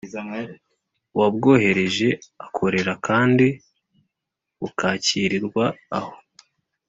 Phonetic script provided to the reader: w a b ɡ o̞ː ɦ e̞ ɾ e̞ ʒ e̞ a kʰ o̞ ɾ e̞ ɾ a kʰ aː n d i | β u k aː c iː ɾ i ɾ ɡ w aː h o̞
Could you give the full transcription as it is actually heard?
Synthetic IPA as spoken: w a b ɡ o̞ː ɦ e̞ ɾ e̞ ʒ e̞ a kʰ o̞ ɾ e̞ ɾ a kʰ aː n d i | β u k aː c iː ɾ i ɾ ɡ w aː h o̞